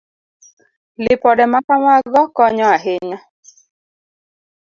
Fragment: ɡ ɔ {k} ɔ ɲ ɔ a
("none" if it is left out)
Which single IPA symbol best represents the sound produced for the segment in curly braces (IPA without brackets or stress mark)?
k